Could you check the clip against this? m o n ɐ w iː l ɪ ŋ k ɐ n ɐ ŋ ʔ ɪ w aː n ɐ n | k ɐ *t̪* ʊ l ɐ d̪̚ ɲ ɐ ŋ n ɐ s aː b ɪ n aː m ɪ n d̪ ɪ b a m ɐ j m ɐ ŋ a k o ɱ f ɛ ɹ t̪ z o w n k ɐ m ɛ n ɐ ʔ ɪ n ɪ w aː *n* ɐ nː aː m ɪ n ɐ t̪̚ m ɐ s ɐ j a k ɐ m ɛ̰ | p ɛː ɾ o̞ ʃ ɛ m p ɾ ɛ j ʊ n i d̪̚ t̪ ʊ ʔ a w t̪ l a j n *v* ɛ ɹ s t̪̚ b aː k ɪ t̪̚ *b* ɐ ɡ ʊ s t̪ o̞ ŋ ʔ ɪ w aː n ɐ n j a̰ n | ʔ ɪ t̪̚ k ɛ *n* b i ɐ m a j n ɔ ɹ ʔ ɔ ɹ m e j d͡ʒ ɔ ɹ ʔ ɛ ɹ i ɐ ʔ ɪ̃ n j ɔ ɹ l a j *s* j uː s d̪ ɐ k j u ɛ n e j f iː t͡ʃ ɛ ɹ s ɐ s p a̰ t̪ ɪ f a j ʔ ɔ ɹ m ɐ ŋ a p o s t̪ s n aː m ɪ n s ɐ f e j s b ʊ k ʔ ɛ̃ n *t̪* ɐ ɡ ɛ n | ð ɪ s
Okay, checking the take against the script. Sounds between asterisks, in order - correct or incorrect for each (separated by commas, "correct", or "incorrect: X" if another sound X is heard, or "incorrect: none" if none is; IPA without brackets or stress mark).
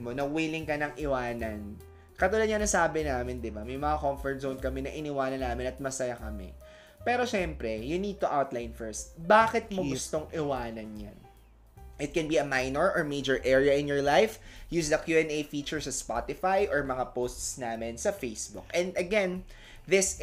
correct, correct, incorrect: f, incorrect: m, correct, incorrect: f, incorrect: d̪